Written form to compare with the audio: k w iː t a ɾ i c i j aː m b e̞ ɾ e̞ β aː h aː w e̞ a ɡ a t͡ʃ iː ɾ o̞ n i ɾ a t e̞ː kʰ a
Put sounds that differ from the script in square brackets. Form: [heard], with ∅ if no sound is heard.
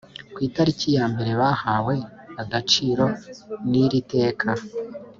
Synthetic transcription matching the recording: k w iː t a ɾ i c i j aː m b e̞ ɾ e̞ β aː h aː w e̞ a ɡ a t͡ʃ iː ɾ o̞ n i ɾ [i] t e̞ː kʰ a